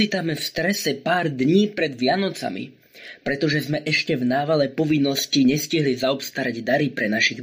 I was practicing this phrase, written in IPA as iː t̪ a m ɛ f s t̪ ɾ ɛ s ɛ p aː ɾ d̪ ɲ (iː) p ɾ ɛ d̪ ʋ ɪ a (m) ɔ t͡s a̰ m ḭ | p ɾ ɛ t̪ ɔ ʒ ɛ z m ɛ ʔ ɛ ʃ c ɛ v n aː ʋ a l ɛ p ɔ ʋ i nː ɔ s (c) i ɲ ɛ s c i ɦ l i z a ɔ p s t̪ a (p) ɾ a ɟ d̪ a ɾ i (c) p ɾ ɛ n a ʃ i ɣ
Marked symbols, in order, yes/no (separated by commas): yes, no, yes, no, no